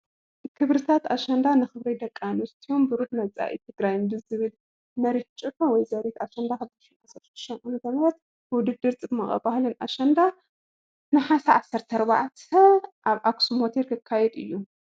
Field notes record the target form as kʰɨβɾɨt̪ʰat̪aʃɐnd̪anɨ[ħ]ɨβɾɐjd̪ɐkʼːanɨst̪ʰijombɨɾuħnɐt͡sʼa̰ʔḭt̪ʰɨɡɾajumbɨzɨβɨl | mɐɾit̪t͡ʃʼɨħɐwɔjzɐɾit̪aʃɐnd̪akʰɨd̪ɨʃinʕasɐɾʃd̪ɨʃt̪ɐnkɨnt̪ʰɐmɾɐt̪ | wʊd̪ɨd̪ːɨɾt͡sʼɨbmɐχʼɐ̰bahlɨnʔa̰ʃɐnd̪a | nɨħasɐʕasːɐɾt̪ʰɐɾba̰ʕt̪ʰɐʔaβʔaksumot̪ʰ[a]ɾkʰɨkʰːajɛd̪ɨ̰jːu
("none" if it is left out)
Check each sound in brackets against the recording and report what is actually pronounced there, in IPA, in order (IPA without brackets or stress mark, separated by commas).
x, e